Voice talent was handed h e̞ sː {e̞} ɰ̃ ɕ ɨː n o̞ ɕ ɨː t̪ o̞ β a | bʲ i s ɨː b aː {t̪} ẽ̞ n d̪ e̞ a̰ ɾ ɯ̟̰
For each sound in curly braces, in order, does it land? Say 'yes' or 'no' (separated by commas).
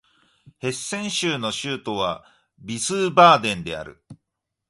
no, no